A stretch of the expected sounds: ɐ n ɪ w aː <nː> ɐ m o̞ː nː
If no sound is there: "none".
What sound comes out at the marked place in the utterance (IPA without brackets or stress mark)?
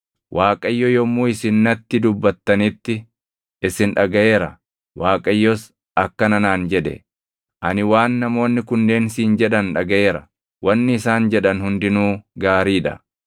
nː